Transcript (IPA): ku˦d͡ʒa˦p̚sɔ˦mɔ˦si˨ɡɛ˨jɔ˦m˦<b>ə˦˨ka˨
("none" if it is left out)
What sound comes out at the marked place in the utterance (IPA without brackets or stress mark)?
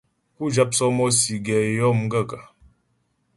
ɡ